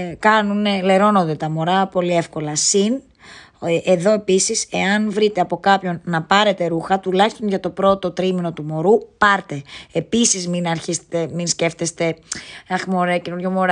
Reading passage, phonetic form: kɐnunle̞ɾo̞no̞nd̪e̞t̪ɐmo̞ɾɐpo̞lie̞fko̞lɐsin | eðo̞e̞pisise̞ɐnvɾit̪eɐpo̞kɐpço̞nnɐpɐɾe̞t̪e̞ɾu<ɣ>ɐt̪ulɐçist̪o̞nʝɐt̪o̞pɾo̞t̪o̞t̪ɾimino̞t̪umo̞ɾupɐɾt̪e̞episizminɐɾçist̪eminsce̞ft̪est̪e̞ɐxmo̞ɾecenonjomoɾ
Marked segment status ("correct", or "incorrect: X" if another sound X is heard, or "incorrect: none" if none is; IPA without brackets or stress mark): incorrect: x